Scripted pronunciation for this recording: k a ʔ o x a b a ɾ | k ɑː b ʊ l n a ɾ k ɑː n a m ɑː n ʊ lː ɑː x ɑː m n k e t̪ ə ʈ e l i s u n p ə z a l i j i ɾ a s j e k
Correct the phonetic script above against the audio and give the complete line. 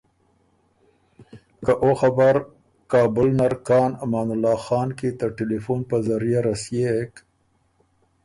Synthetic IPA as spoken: k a ʔ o x a b a ɾ | k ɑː b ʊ l n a ɾ k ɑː n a m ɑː n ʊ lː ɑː x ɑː n k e t̪ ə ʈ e l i f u n p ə z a ɾ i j a ɾ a s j e k